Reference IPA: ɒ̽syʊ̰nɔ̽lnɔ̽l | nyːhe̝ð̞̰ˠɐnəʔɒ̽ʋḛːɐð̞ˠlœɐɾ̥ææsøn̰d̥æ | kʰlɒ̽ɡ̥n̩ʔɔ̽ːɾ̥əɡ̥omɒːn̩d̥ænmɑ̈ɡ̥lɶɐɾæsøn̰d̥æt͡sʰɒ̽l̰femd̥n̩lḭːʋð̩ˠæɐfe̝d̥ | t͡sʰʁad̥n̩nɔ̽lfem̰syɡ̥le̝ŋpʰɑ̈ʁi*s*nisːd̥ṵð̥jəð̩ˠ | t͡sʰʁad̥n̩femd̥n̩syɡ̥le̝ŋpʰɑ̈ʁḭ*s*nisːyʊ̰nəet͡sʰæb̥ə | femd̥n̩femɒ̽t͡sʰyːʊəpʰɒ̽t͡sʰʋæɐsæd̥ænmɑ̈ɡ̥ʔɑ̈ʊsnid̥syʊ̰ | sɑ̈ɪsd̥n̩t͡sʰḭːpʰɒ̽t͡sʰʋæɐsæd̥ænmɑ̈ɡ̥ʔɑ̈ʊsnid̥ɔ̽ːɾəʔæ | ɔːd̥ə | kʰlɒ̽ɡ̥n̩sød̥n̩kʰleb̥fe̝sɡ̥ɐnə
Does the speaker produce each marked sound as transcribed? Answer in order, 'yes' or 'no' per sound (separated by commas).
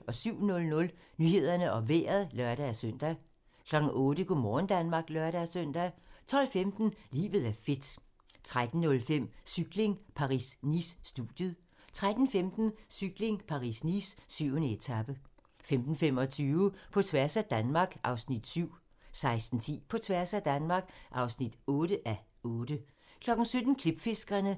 yes, yes